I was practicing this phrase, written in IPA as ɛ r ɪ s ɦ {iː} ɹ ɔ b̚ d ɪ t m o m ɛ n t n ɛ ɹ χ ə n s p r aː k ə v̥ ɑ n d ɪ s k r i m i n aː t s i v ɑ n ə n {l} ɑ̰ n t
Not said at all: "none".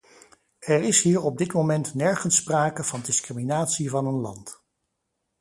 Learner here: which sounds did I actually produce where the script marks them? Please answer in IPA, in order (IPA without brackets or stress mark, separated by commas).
iː, l